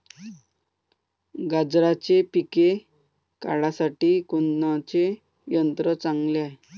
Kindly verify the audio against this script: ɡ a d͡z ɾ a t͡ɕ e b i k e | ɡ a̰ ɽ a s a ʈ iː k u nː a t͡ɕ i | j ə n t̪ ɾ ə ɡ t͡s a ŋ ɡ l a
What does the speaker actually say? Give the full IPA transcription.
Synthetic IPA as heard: ɡ a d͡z ɾ a t͡ɕ e p i k e | k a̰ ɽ a s a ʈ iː k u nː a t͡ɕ e | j ə n t̪ ɾ ə t͡s a ŋ ɡ l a